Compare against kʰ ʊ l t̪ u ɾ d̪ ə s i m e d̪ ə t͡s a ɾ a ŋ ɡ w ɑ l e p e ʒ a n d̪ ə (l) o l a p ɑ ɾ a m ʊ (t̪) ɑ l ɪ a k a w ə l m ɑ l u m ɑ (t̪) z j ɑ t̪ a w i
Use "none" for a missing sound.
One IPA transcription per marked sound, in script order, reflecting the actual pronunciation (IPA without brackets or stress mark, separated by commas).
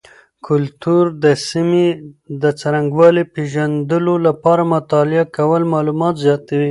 l, t̪, t̪